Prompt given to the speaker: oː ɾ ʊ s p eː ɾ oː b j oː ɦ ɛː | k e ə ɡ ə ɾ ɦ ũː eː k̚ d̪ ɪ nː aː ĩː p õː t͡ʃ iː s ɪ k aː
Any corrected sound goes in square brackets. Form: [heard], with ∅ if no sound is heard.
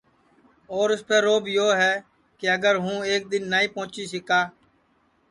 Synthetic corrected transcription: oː ɾ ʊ s p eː ɾ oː b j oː ɦ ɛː | k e ə ɡ ə ɾ ɦ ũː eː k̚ d̪ ɪ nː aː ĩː p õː t͡ʃ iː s ɪ k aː